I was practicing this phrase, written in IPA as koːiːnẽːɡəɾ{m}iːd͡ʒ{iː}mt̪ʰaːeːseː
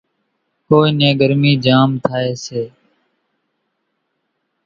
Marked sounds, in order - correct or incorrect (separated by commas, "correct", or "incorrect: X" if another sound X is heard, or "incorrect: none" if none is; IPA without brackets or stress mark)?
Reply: correct, incorrect: aː